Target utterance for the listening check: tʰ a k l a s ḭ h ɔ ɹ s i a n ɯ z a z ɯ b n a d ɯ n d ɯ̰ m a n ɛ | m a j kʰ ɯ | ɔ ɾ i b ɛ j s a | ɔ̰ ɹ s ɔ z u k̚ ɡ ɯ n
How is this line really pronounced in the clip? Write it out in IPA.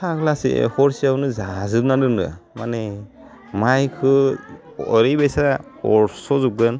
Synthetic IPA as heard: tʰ a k l a s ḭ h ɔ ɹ s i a n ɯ z a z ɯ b n a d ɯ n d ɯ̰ m a n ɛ | m a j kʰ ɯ | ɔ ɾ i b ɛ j s a | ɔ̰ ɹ s ɔ z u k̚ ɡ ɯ n